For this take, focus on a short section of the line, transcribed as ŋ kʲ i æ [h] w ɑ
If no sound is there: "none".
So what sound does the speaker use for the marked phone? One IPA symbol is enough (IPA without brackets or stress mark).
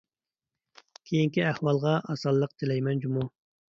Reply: h